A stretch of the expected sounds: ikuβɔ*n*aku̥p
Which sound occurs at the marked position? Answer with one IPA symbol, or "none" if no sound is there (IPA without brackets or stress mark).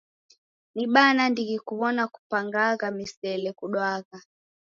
n